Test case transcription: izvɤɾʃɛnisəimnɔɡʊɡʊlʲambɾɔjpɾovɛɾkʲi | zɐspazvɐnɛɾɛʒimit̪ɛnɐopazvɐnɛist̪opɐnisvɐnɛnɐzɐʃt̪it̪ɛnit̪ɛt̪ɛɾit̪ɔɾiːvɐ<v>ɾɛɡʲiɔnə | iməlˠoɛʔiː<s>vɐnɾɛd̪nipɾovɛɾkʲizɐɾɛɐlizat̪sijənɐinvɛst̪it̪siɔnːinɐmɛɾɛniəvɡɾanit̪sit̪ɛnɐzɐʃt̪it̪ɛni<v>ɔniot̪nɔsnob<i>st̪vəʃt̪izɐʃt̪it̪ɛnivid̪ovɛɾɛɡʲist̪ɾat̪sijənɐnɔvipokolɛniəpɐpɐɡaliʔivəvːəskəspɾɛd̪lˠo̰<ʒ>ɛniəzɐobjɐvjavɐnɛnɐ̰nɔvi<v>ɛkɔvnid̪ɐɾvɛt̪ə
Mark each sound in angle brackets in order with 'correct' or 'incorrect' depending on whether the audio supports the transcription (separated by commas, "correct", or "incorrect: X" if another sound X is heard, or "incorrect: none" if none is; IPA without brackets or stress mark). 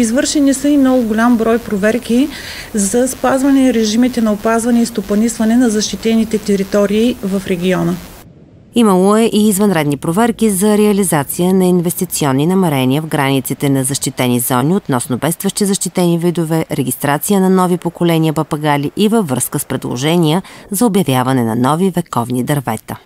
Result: incorrect: f, incorrect: z, incorrect: z, incorrect: ɛ, correct, correct